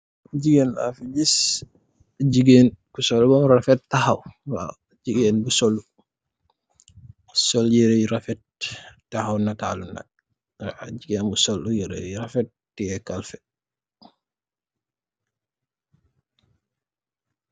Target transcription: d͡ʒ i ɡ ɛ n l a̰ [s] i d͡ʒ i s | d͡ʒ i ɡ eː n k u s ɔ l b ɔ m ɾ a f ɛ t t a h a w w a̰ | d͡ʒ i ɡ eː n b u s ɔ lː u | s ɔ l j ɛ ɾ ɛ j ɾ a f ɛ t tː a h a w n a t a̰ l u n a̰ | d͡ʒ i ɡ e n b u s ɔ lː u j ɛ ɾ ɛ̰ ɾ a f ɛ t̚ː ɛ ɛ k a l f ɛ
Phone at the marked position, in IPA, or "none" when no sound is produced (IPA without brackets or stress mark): f